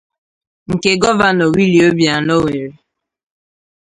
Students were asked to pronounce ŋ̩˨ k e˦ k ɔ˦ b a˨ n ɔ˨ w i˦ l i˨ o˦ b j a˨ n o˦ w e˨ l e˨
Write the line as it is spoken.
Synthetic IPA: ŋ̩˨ k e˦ ɡ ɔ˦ v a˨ n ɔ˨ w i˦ l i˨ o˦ b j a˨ n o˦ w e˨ ɾ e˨